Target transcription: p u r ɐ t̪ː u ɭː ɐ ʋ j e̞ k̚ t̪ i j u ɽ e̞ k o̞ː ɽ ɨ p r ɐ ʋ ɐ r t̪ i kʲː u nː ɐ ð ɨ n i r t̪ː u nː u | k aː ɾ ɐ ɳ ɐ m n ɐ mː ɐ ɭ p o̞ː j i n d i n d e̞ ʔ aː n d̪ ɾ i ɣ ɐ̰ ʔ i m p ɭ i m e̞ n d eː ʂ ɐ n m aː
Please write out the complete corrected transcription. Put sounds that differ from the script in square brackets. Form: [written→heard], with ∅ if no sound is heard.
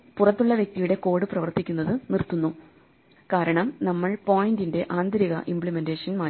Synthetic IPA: p u r ɐ t̪ː u ɭː ɐ ʋ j e̞ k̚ t̪ i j u ɽ e̞ k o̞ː ɽ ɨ p r ɐ ʋ ɐ r t̪ i kʲː u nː ɐ ð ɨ n i r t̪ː u nː u | k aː ɾ ɐ ɳ ɐ m n ɐ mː ɐ ɭ p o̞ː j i n d i n d e̞ ʔ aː n d̪ ɾ i ɣ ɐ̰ ʔ i m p ɭ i m e̞ n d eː ʂ ɐ n m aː